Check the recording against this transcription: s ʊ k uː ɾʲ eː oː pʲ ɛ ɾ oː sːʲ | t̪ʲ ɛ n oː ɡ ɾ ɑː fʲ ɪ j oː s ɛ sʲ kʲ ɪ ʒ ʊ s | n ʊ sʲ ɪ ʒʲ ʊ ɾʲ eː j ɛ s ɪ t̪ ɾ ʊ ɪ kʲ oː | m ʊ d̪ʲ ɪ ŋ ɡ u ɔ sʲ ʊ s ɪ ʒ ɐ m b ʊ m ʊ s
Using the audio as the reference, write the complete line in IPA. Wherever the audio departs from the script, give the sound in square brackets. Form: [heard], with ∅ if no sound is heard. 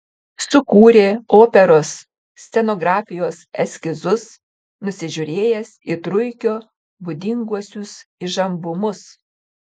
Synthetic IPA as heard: s ʊ k uː ɾʲ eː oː pʲ ɛ ɾ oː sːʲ | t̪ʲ ɛ n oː ɡ ɾ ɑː fʲ ɪ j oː s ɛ sʲ kʲ ɪ [z] ʊ s | n ʊ sʲ ɪ ʒʲ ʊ ɾʲ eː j ɛ s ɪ t̪ ɾ ʊ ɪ kʲ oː | [b] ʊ d̪ʲ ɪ ŋ ɡ u ɔ sʲ ʊ s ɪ ʒ ɐ m b ʊ m ʊ s

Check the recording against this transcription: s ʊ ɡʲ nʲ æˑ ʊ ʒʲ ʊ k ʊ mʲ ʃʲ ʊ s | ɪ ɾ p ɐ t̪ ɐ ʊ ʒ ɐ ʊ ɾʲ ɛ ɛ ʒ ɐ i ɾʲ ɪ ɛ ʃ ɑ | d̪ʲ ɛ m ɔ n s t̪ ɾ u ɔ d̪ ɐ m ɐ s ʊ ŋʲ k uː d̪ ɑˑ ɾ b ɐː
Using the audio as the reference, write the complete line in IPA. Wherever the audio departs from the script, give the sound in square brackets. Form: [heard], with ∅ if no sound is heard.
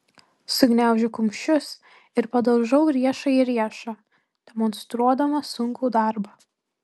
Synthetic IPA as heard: s ʊ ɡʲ nʲ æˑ ʊ ʒʲ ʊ k ʊ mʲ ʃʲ ʊ s | ɪ ɾ p ɐ [d̪] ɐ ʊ ʒ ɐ ʊ ɾʲ [i] ɛ [ʃ] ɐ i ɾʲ [i] ɛ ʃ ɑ | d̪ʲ ɛ m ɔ n s t̪ ɾ u ɔ d̪ ɐ m ɐ s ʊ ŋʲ k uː d̪ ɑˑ ɾ b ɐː

